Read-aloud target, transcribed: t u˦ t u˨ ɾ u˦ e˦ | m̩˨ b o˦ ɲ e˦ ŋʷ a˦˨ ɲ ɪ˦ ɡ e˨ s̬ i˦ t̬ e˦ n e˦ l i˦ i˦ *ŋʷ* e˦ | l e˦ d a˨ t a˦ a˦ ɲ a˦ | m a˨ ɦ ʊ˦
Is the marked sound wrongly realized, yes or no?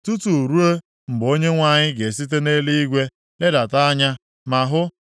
yes